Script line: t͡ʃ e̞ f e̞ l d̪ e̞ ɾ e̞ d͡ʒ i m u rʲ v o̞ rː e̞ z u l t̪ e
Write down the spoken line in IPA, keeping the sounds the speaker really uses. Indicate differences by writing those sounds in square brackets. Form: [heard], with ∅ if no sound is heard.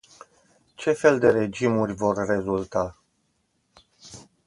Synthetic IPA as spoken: t͡ʃ e̞ f e̞ l d̪ e̞ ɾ e̞ d͡ʒ i m u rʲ v o̞ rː e̞ z u l t̪ [a]